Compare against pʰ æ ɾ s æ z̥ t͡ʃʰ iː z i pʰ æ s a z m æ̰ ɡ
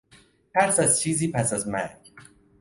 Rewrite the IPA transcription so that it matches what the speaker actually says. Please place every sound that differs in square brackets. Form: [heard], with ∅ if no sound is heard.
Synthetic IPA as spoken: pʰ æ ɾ s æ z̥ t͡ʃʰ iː z i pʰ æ s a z m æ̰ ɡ